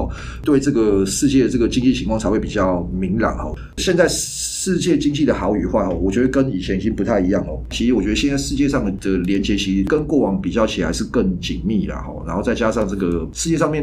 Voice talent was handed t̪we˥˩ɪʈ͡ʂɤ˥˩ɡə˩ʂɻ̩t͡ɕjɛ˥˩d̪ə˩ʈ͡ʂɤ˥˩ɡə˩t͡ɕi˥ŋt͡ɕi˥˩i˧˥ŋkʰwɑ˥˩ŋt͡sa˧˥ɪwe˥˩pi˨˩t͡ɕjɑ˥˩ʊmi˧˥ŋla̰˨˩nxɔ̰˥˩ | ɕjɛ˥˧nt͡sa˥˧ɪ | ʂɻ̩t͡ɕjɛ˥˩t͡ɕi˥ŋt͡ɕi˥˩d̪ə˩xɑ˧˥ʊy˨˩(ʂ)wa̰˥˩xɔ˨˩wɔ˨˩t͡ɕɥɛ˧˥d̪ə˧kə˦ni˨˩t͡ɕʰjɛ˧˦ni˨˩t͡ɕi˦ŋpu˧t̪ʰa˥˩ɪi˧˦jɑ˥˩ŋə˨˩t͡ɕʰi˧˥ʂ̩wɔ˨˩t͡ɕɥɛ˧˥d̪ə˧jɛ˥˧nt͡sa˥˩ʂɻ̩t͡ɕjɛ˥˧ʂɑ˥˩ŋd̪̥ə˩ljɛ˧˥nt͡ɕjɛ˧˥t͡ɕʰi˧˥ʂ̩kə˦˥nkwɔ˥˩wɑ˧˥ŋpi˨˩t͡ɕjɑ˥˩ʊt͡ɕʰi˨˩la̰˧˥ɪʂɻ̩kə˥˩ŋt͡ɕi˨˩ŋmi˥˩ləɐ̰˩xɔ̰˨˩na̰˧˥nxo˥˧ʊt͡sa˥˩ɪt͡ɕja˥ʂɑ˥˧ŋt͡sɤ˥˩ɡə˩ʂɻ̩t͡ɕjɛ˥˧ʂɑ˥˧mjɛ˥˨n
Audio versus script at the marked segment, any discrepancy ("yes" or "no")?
yes